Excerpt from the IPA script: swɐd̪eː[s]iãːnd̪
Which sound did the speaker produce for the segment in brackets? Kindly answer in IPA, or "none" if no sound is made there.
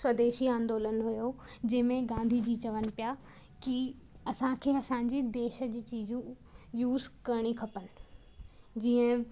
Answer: ʃ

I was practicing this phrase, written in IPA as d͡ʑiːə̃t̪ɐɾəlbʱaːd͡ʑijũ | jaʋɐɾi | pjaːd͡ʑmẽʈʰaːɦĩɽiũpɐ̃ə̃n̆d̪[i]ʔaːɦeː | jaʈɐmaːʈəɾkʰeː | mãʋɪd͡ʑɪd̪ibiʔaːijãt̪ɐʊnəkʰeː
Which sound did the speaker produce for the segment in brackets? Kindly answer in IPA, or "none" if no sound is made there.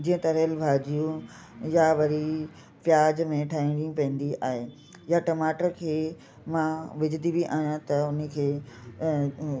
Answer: i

